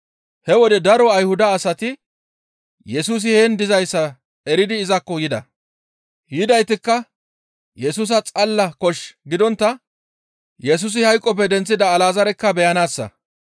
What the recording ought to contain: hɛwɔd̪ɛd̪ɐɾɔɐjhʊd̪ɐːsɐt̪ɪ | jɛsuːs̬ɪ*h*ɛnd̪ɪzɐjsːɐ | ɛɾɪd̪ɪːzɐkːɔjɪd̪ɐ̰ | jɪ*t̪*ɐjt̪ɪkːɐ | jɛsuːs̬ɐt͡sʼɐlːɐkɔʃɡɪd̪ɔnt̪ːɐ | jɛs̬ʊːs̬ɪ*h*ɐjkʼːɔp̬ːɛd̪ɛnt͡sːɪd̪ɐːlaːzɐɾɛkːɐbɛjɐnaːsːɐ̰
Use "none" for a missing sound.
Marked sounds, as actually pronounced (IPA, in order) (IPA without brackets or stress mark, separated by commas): h, d̪, h